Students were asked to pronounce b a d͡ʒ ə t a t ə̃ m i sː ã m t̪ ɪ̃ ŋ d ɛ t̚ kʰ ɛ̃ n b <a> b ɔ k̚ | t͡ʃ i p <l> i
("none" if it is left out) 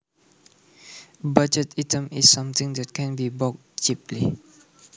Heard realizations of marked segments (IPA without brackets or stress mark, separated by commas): i, l